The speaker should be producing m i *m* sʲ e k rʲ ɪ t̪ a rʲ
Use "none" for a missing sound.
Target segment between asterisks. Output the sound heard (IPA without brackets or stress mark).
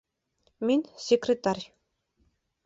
n